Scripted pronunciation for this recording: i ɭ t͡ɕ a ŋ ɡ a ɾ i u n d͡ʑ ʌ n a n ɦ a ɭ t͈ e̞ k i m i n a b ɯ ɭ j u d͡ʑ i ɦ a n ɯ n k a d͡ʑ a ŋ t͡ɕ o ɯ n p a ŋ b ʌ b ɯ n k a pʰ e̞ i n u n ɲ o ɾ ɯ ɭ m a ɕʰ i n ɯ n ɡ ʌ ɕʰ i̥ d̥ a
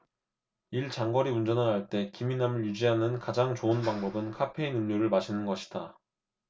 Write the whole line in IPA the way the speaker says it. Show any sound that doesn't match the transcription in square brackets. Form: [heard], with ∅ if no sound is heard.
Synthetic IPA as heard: i ɭ t͡ɕ a ŋ ɡ [ʌ] ɾ i u n d͡ʑ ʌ n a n ɦ a ɭ t͈ e̞ k i m i n a [m] ɯ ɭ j u d͡ʑ i ɦ a n ɯ n k a d͡ʑ a ŋ t͡ɕ o ɯ n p a ŋ b ʌ b ɯ n [kʰ] a pʰ e̞ i n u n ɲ o ɾ ɯ ɭ m a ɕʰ i n ɯ n ɡ ʌ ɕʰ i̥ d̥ a